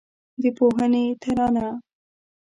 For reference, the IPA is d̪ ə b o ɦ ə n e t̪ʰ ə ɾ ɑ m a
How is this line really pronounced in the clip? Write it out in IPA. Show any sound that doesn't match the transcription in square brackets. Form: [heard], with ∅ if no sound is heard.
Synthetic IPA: d̪ ə [p] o ɦ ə n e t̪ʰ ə ɾ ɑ [n] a